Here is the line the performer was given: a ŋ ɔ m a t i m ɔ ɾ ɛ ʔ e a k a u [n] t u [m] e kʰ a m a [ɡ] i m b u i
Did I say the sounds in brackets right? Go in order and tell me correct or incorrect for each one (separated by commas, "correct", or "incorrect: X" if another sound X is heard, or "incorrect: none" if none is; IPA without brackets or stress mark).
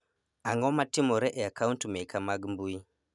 correct, correct, correct